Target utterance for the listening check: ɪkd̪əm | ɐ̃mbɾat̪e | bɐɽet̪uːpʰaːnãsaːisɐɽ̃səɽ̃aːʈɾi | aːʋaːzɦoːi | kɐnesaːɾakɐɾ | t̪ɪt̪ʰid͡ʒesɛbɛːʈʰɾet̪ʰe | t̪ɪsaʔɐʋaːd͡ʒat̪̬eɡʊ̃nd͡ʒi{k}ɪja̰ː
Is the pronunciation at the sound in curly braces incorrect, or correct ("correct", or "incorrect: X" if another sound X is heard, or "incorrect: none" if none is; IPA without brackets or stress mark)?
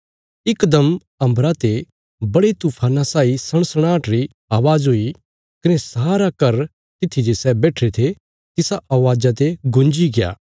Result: incorrect: ɡ